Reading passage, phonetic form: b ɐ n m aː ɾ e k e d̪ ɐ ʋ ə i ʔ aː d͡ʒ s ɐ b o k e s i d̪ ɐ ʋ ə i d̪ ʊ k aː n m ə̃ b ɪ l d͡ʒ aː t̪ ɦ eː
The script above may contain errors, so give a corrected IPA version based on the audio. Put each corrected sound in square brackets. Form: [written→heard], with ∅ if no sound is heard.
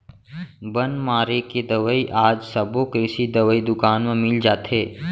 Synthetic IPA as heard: b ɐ n m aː ɾ e k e d̪ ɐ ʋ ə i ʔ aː d͡ʒ s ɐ b o k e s i d̪ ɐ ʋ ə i d̪ ʊ k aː n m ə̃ [b→m] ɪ l d͡ʒ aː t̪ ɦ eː